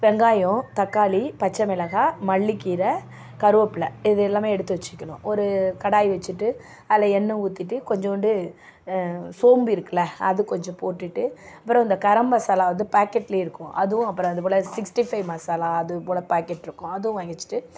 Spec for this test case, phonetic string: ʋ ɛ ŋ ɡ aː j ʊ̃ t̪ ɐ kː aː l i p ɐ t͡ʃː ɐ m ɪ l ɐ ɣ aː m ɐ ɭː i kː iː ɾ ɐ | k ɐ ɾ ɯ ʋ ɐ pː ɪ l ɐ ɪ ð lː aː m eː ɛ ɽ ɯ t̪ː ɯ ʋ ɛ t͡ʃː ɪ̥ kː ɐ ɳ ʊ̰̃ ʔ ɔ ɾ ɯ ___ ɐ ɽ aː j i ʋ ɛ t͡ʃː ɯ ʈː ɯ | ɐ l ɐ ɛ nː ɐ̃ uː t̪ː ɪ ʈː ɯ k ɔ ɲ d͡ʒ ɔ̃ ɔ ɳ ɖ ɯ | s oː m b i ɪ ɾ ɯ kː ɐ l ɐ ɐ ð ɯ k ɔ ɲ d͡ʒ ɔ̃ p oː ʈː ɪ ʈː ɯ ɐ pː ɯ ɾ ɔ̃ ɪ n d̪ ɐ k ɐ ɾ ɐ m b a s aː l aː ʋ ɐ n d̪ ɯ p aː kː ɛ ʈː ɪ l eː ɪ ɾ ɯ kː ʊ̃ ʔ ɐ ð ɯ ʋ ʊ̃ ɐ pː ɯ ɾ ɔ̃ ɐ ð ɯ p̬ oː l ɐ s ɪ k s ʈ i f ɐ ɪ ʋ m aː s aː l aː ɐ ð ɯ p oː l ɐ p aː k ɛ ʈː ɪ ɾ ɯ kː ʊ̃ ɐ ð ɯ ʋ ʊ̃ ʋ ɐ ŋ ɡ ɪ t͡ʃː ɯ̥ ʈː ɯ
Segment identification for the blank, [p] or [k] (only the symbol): k